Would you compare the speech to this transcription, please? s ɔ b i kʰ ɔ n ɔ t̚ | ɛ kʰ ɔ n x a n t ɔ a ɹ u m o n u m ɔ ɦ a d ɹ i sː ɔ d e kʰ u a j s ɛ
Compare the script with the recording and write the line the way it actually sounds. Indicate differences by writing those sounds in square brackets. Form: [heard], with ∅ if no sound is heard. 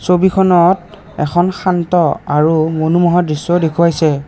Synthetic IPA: s [o] b i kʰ ɔ n ɔ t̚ | ɛ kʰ ɔ n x a n t ɔ a ɹ u m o n u m ɔ ɦ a d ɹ i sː ɔ d e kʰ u a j s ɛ